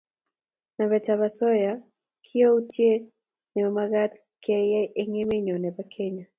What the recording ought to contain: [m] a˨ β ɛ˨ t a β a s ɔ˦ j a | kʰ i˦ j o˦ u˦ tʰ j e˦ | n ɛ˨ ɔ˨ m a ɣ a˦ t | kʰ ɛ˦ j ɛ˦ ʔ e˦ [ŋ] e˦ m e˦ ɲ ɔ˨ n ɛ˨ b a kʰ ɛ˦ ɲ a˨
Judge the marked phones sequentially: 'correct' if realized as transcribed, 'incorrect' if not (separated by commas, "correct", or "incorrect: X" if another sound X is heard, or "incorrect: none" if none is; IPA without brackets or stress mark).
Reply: incorrect: n, correct